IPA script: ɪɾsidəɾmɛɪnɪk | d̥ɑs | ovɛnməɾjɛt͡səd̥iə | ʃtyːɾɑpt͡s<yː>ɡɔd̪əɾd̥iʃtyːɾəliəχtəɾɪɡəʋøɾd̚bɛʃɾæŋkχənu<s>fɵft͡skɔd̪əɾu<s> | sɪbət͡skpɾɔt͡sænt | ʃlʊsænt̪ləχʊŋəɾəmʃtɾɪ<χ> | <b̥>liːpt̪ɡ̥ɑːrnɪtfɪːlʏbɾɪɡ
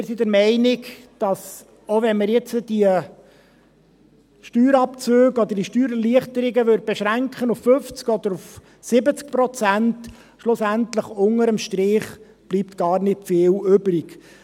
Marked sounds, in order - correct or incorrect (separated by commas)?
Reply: incorrect, incorrect, incorrect, correct, correct